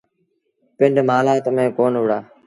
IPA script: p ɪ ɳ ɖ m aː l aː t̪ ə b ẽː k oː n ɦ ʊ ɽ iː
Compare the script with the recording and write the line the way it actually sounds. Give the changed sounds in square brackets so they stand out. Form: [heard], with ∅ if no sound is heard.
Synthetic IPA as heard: p ɪ ɳ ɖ m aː l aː t̪ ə [m] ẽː k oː n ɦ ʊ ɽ [aː]